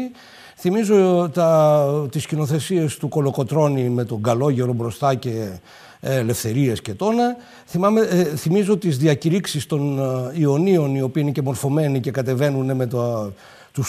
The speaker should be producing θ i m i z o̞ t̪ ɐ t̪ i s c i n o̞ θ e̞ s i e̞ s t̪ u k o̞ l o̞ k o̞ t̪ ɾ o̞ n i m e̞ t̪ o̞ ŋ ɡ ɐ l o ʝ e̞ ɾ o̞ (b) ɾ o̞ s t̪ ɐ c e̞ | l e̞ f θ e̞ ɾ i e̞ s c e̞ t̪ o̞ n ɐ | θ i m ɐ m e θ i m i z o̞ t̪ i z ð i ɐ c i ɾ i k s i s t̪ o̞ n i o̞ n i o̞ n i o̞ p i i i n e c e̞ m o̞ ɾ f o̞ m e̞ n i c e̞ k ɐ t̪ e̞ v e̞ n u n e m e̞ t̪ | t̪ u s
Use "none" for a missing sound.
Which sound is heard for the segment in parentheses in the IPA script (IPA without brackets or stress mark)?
b